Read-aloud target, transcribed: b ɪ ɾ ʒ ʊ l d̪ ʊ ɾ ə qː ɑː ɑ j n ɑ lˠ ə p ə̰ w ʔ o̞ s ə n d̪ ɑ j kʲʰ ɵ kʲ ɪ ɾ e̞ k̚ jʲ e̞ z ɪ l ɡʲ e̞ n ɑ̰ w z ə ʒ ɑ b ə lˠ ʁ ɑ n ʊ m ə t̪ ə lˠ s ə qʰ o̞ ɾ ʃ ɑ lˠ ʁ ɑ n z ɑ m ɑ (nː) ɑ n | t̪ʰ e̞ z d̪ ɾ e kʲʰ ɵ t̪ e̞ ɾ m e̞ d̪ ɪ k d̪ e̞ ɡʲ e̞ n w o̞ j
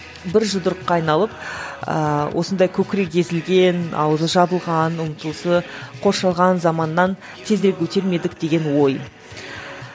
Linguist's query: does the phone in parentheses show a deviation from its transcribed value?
no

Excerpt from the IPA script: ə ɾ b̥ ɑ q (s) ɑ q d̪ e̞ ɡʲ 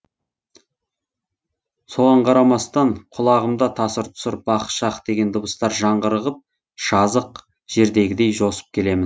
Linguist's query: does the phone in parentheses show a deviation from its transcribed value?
yes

